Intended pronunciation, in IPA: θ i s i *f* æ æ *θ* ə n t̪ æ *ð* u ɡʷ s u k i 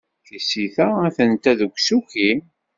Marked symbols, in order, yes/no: no, yes, yes

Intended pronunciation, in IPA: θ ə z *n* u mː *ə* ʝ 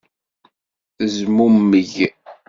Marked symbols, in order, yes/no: no, yes

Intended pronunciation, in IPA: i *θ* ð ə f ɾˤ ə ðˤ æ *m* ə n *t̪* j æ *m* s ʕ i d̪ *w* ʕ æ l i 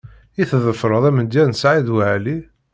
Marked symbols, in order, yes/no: yes, yes, no, no, yes

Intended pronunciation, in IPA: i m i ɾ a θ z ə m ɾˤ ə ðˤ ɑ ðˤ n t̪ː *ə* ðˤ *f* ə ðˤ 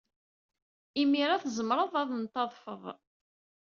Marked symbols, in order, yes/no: no, yes

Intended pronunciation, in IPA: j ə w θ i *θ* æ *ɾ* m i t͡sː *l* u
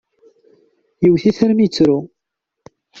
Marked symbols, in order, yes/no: yes, yes, no

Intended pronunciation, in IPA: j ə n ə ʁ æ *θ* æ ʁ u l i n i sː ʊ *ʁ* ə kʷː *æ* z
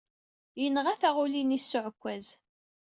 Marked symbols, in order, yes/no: yes, no, yes

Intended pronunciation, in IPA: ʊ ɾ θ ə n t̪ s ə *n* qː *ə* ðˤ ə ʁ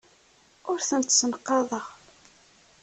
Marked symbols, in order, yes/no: yes, no

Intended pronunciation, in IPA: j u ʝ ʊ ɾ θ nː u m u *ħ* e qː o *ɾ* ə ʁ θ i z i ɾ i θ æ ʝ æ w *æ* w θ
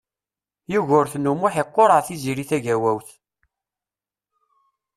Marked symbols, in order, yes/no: yes, yes, yes

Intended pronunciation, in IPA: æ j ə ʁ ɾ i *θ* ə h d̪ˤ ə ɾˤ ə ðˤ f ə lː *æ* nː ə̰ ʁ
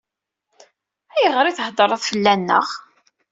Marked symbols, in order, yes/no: yes, yes

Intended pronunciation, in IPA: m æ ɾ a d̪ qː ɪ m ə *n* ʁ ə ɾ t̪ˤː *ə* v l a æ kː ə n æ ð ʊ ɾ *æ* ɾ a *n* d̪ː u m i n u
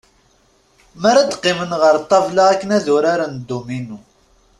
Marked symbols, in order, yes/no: yes, no, no, yes

